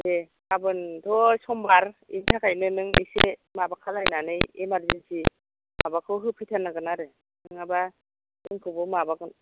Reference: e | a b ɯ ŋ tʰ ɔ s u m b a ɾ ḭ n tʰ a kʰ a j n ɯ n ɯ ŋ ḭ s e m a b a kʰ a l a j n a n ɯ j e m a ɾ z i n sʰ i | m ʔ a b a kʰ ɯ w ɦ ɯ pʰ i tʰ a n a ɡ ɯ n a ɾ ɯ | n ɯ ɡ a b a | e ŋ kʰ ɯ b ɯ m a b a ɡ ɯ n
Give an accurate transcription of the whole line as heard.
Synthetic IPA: e | a b ɯ n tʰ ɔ s ɔ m b a ɾ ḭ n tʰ a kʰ a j n ɯ n ɯ ŋ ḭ s e m a b a kʰ a l a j n a n ɯ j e m a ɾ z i n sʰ i | m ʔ a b a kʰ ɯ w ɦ ɯ pʰ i tʰ a n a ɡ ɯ n a ɾ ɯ | n ɯ ŋ a b a | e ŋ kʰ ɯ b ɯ m a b a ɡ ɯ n